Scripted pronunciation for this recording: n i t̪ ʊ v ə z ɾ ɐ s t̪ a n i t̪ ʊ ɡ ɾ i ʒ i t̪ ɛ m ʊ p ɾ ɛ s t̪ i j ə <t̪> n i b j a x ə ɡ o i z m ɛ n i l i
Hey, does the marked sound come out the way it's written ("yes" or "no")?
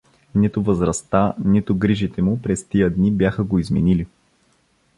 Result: no